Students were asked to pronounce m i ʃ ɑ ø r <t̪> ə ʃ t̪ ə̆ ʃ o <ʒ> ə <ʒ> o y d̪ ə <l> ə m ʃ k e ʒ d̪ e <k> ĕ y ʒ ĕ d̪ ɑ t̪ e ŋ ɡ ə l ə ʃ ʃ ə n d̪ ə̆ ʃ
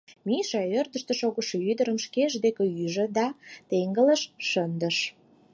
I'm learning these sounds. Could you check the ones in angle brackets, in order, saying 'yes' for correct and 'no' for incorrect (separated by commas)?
no, no, no, no, yes